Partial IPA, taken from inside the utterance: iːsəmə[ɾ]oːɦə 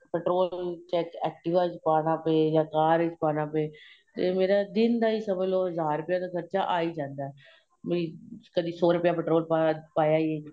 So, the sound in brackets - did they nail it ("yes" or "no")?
no